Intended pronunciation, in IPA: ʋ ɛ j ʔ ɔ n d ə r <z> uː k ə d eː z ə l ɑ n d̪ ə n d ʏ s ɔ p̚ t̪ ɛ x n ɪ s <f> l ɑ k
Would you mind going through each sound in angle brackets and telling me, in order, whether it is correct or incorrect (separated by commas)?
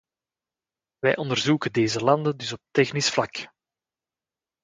correct, correct